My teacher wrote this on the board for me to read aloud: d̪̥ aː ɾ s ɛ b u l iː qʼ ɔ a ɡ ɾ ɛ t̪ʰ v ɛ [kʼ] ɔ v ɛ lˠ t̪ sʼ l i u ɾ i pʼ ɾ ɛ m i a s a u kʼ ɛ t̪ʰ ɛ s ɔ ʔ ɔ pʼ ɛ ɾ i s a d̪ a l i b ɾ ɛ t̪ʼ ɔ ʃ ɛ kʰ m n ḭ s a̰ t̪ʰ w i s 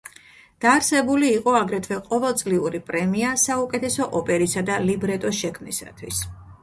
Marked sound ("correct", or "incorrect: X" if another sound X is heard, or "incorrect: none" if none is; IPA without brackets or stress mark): incorrect: qʼ